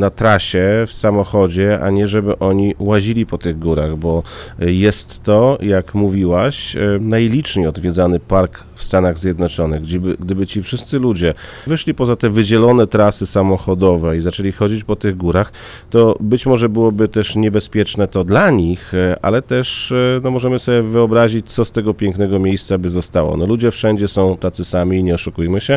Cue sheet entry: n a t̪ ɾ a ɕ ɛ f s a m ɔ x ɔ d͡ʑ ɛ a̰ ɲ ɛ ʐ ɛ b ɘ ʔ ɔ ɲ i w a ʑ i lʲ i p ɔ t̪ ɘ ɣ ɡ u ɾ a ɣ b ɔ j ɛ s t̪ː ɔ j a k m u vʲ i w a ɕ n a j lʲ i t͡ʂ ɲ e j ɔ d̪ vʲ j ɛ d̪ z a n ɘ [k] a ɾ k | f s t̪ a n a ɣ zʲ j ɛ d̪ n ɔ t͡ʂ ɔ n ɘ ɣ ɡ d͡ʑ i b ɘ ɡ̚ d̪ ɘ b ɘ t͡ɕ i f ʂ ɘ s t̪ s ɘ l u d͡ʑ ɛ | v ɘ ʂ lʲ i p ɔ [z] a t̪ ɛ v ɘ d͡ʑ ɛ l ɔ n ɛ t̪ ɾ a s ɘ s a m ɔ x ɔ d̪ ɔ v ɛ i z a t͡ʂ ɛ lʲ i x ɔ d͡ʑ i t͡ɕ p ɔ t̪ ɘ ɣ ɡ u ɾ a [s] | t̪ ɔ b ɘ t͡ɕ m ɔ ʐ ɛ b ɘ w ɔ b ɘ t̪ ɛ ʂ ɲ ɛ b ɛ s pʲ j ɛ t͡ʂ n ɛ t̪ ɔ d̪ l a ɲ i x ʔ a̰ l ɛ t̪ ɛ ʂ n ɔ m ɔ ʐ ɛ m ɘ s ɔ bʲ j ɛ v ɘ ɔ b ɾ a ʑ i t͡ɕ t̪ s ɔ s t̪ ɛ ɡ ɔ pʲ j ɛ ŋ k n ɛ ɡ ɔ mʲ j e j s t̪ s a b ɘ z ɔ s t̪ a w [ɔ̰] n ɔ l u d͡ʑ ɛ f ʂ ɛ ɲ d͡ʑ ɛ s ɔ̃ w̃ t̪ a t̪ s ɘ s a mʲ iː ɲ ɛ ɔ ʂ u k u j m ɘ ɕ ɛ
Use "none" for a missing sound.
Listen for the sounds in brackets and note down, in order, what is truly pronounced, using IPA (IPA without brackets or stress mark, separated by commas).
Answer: p, z, x, ɔ̰